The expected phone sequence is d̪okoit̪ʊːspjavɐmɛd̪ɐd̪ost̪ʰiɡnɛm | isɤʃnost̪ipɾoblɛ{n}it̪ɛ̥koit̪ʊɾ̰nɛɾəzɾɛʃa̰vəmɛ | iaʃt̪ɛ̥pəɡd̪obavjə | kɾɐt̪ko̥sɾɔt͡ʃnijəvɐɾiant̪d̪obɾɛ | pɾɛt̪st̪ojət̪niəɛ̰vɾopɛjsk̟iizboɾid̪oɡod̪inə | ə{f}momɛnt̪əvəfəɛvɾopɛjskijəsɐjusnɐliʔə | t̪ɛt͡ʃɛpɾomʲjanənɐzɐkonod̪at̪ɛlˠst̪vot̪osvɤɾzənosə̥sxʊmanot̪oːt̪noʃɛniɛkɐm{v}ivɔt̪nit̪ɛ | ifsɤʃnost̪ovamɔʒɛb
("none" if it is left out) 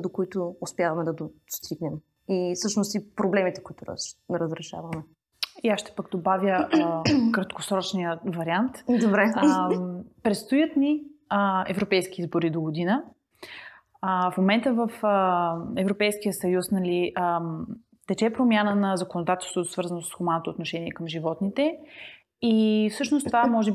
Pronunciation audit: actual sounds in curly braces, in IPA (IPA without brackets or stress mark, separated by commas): m, f, ʒ